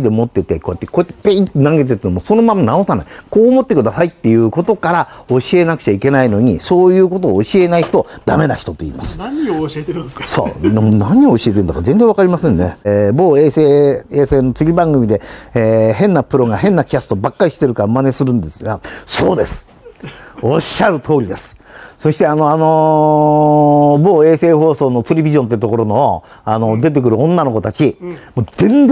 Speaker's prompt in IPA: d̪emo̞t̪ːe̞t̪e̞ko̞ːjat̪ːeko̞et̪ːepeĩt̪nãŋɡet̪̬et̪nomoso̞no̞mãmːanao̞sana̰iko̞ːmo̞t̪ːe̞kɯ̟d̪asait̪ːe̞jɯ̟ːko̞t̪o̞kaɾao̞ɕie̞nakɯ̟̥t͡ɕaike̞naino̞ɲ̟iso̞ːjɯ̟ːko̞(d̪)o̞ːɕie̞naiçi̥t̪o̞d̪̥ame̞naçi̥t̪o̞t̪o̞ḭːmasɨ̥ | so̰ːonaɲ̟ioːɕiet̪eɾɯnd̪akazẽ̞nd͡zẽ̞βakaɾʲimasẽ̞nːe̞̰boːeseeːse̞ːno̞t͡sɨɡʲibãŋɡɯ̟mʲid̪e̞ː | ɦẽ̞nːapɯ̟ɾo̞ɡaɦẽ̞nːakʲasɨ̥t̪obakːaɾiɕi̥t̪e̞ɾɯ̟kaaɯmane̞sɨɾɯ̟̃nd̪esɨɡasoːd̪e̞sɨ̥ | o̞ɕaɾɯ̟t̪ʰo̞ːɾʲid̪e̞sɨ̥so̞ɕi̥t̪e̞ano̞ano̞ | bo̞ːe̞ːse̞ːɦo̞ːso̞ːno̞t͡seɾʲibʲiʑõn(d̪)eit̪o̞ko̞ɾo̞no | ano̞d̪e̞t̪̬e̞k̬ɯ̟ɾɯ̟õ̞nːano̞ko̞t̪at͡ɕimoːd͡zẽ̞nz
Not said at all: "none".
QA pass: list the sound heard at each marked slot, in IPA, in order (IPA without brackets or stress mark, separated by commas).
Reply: t̪, t̪